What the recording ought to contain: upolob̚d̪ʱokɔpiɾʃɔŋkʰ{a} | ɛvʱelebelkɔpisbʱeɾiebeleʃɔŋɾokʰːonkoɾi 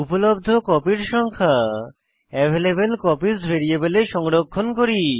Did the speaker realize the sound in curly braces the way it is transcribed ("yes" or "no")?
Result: yes